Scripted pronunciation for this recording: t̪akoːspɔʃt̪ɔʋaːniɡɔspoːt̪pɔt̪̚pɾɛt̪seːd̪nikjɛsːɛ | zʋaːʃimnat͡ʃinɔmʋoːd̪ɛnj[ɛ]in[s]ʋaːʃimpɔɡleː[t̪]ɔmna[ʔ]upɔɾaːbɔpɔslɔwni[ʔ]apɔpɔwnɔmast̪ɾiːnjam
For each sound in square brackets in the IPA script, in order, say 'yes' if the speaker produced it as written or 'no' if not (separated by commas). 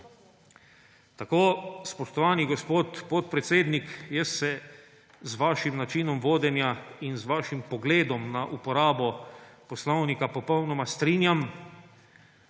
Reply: no, no, no, yes, no